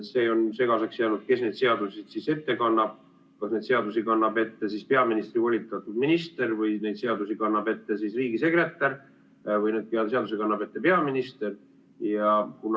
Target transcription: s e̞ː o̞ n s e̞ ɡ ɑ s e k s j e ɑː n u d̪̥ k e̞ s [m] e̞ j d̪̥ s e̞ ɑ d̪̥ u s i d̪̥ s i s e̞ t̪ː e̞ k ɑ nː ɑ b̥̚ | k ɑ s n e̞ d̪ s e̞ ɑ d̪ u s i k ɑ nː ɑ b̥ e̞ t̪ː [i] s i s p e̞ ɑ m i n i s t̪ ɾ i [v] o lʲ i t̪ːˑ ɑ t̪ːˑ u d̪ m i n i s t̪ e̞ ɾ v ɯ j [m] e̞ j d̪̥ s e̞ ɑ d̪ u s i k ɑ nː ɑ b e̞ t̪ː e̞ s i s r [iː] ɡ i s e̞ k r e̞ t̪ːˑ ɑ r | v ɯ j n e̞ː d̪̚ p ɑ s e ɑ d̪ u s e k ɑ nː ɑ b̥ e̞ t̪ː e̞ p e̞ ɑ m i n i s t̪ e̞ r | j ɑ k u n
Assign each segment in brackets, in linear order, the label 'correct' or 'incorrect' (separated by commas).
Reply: incorrect, incorrect, correct, incorrect, correct